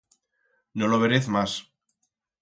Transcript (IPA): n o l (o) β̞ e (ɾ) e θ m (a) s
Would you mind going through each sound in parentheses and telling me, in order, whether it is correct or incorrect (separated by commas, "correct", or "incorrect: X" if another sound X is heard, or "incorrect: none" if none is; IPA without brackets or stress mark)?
correct, correct, correct